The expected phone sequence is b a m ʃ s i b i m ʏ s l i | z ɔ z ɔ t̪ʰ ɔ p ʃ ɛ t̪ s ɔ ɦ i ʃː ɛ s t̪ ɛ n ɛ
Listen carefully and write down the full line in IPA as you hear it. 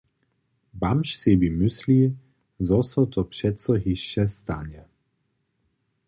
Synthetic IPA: b a m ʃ s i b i m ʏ s l i | z ɔ s ɔ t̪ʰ ɔ p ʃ ɛ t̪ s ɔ ɦ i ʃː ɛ s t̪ a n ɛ